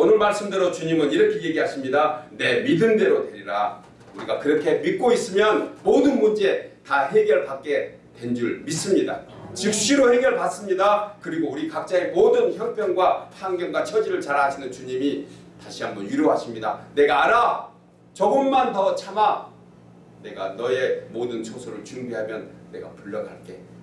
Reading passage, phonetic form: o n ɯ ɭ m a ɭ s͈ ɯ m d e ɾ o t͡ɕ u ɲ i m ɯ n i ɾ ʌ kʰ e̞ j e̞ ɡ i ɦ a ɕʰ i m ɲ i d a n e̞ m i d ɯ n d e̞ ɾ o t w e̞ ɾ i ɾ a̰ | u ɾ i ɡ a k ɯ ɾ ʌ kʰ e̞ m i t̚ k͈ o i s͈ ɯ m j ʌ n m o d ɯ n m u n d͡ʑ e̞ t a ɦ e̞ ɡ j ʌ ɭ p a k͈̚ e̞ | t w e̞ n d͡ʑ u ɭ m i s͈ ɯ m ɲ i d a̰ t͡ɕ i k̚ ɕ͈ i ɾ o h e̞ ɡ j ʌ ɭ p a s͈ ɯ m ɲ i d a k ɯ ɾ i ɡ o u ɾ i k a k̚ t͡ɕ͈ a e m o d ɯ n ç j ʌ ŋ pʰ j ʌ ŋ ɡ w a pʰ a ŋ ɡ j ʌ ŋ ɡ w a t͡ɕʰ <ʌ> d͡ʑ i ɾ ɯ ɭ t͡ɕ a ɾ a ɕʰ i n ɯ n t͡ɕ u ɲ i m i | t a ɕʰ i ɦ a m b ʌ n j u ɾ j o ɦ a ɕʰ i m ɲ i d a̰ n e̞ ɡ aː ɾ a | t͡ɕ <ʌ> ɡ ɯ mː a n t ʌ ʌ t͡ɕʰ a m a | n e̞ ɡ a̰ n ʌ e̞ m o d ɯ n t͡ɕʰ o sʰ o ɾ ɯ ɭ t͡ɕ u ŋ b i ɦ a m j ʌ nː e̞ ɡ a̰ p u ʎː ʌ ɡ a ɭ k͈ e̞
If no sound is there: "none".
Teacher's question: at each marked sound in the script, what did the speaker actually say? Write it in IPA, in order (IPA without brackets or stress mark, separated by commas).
ʌ, ʌ